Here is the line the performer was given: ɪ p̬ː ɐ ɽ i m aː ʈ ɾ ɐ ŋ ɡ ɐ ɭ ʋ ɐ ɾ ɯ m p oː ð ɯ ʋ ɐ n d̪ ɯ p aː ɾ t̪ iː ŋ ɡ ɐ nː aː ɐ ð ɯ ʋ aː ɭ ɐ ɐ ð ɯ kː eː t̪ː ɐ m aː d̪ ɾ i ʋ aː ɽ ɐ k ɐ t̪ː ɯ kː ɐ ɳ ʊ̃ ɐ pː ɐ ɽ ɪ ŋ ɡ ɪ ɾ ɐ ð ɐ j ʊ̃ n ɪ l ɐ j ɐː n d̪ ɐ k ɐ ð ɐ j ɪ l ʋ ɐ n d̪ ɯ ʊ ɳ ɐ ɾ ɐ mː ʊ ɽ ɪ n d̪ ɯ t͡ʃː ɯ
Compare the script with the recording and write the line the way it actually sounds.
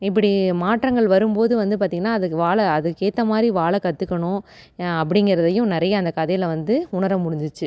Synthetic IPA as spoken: ɪ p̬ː ɐ ɽ i m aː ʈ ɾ ɐ ŋ ɡ ɐ ɭ ʋ ɐ ɾ ɯ m p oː ð ɯ ʋ ɐ n d̪ ɯ p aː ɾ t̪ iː ŋ ɡ ɐ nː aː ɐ ð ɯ ʋ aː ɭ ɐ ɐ ð ɯ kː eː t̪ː ɐ m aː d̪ ɾ i ʋ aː ɭ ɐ k ɐ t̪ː ɯ kː ɐ ɳ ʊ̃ ɐ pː ɐ ɽ ɪ ŋ ɡ ɪ ɾ ɐ ð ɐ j ʊ̃ n ɪ ɾ ɐ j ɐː n d̪ ɐ k ɐ ð ɐ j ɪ l ʋ ɐ n d̪ ɯ ʊ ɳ ɐ ɾ ɐ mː ʊ ɽ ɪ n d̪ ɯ t͡ʃː ɯ

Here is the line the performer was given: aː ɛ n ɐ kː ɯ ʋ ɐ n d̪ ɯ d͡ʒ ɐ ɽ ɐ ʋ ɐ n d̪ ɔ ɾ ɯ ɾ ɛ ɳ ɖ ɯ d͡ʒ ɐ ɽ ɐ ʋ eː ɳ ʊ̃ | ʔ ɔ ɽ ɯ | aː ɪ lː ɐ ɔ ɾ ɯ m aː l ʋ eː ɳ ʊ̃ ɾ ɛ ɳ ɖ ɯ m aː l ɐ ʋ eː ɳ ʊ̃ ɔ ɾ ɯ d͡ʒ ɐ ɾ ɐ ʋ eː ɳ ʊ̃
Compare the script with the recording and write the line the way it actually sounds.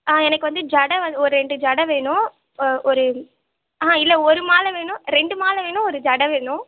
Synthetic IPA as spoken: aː ɛ n ɐ kː ɯ ʋ ɐ n d̪ ɯ d͡ʒ ɐ ɽ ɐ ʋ ɐ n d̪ ɔ ɾ ɯ ɾ ɛ ɳ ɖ ɯ d͡ʒ ɐ ɽ ɐ ʋ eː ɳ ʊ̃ | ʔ ɔ ɾ ɯ | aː ɪ lː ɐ ɔ ɾ ɯ m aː l ʋ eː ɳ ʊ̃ ɾ ɛ ɳ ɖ ɯ m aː l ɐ ʋ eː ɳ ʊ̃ ɔ ɾ ɯ d͡ʒ ɐ ɽ ɐ ʋ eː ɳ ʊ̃

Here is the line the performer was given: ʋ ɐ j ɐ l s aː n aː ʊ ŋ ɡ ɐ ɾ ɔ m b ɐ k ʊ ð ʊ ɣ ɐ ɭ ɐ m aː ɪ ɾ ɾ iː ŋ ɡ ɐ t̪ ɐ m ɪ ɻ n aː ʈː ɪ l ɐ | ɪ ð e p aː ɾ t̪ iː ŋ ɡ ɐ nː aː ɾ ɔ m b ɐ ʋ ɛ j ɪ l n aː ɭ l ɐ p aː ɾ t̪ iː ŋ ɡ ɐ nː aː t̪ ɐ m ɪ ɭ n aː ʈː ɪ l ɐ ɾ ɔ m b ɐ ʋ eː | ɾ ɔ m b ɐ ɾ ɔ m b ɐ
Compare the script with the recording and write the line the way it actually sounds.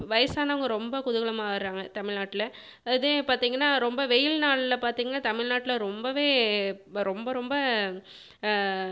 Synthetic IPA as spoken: ʋ ɐ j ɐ s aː n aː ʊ ŋ ɡ ɐ ɾ ɔ m b ɐ k ʊ ð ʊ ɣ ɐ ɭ ɐ m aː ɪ ɾ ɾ aː ŋ ɡ ɐ t̪ ɐ m ɪ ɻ n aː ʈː ɪ l ɐ | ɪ ð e p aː ɾ t̪ iː ŋ ɡ ɐ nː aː ɾ ɔ m b ɐ ʋ ɛ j ɪ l n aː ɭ l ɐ p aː ɾ t̪ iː ŋ ɡ ɐ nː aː t̪ ɐ m ɪ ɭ n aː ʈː ɪ l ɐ ɾ ɔ m b ɐ ʋ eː | ɾ ɔ m b ɐ ɾ ɔ m b ɐ

